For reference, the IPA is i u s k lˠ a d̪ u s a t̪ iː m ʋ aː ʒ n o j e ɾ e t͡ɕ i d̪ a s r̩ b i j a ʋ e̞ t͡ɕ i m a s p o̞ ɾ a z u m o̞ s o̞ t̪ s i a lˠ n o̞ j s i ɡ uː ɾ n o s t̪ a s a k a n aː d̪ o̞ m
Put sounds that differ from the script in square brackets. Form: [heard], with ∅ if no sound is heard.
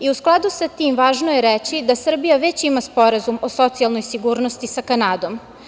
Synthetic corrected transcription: i u s k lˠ a d̪ u s a t̪ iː m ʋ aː ʒ n o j e ɾ e t͡ɕ i d̪ a s r̩ b i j a ʋ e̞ t͡ɕ i m a s p o̞ ɾ a z u m o̞ s o̞ t̪ s i a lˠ n o̞ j s i ɡ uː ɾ n o s t̪ [i] s a k a n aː d̪ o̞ m